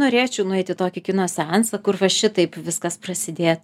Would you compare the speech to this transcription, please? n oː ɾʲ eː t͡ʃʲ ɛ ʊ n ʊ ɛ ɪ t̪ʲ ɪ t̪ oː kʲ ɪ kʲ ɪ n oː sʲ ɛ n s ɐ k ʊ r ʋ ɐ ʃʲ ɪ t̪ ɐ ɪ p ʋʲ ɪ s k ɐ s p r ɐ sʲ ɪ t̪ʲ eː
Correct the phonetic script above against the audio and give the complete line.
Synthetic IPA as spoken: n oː ɾʲ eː t͡ʃʲ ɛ ʊ n ʊ ɛ ɪ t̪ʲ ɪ t̪ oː kʲ ɪ kʲ ɪ n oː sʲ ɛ n s ɐ k ʊ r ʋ ɐ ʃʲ ɪ t̪ ɐ ɪ p ʋʲ ɪ s k ɐ s p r ɐ sʲ ɪ d̪ʲ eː